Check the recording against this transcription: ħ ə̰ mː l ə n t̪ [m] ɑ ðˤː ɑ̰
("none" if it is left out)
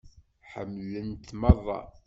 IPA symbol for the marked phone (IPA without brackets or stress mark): m